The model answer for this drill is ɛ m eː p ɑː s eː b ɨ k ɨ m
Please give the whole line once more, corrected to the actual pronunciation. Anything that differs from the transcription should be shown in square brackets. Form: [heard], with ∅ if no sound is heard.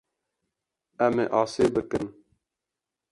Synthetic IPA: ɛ m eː [ʔ] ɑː s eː b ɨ k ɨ [n]